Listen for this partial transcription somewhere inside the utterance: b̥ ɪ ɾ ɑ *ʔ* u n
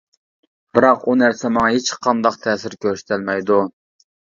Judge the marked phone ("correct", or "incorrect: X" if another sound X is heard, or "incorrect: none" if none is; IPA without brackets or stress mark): incorrect: q